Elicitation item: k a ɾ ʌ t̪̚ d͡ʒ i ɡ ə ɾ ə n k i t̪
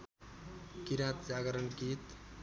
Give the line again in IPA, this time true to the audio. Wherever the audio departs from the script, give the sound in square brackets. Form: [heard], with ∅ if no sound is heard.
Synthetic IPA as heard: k [i] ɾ [a] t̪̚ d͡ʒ [a] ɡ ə ɾ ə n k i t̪